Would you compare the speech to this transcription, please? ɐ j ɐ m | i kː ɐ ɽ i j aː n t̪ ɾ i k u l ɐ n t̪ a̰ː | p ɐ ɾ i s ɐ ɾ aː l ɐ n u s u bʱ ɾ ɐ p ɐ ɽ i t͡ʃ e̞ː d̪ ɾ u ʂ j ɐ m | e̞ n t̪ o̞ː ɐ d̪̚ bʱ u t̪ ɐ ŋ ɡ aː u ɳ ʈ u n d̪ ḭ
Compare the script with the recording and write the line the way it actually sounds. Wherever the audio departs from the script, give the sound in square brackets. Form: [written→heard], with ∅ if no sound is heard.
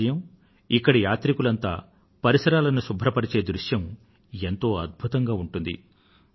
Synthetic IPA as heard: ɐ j ɐ m | i kː ɐ ɽ i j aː [n→∅] t̪ ɾ i k u l ɐ n t̪ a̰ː | p ɐ ɾ i s ɐ ɾ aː l ɐ n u s u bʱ ɾ ɐ p ɐ ɽ i t͡ʃ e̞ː d̪ ɾ u ʂ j ɐ m | e̞ n t̪ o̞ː ɐ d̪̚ bʱ u t̪ ɐ ŋ ɡ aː u ɳ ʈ u n d̪ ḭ